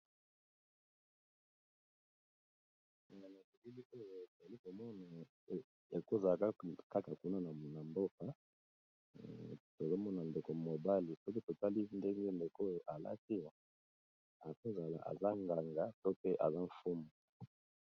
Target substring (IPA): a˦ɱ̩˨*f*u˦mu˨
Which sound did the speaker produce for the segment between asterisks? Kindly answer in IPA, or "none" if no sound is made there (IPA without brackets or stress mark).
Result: f